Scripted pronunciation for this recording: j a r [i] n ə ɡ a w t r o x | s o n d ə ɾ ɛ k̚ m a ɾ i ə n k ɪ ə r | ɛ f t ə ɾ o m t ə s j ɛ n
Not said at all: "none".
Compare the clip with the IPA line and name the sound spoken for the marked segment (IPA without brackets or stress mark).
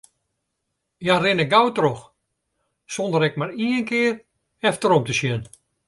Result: ɪ